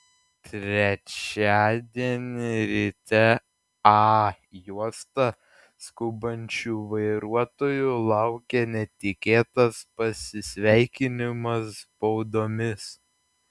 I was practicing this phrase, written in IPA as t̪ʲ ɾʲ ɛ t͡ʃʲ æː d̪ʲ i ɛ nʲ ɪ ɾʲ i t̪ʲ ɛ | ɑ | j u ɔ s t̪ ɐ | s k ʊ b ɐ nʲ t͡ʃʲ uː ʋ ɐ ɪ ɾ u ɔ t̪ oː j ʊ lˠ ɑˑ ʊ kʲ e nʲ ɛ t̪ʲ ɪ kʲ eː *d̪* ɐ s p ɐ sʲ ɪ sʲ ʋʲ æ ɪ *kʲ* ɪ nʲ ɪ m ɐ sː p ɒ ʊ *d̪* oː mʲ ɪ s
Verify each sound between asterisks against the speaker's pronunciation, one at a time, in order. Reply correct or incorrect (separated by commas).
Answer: incorrect, correct, correct